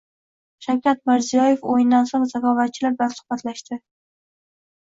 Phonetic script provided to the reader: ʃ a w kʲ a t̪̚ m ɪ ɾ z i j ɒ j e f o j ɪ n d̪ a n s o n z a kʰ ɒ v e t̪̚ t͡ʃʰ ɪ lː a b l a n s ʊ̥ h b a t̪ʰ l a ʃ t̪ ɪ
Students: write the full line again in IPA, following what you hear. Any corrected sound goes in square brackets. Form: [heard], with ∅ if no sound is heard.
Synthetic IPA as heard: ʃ a w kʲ a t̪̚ m ɪ ɾ z i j ɒ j e f o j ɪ n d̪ a n s o [ŋ] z a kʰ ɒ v [a] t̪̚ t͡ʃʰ ɪ [l] a b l a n s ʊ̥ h b a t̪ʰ l a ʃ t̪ ɪ